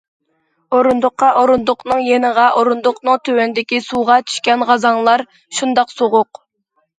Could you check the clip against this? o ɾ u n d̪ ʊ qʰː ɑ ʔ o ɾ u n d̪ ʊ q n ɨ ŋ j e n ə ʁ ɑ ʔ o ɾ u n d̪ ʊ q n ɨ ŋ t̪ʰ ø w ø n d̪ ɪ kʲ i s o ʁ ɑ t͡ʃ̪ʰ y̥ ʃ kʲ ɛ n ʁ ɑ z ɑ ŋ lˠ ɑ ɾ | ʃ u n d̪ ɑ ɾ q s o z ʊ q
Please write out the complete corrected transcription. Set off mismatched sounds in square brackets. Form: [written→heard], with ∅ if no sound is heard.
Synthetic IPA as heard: o ɾ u n d̪ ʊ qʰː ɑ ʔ o ɾ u n d̪ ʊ q n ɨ ŋ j e n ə ʁ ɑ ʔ o ɾ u n d̪ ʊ q n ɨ ŋ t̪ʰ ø w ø n d̪ ɪ kʲ i s [o→u] ʁ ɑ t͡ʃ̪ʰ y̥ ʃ kʲ ɛ n ʁ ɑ z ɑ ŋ lˠ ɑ ɾ | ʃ u n d̪ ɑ [ɾ→∅] q s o [z→ʁ] ʊ q